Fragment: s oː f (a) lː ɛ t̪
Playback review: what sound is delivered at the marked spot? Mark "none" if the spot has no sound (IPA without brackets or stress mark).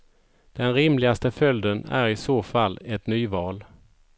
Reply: a